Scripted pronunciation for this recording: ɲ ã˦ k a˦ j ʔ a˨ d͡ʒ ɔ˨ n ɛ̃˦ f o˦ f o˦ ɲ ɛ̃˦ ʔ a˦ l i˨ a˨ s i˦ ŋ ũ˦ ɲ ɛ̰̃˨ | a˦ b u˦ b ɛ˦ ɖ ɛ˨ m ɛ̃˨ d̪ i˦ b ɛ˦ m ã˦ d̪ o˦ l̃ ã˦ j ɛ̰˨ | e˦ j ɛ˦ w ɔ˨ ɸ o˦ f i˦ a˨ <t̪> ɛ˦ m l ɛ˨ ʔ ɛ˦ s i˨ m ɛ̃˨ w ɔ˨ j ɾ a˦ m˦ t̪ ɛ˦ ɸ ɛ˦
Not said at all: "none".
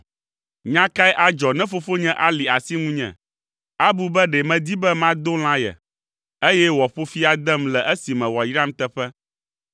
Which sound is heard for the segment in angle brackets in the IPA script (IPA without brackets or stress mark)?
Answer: d̪